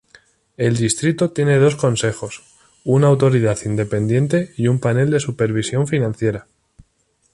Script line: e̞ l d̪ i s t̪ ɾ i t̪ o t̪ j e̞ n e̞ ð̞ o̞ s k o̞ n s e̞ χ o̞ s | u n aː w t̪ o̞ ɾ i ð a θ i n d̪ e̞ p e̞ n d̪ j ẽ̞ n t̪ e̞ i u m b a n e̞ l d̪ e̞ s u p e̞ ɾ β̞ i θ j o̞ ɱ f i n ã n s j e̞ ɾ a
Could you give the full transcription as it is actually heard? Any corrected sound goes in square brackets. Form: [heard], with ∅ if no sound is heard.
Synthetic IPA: e̞ l d̪ i s t̪ ɾ i t̪ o t̪ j e̞ n e̞ ð̞ o̞ s k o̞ n s e̞ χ o̞ s | u n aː w t̪ o̞ ɾ i ð a θ i n d̪ e̞ p e̞ n d̪ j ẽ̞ n t̪ e̞ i u m [p] a n e̞ l d̪ e̞ s u p e̞ ɾ β̞ i [s] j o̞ ɱ f i n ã n [θ] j e̞ ɾ a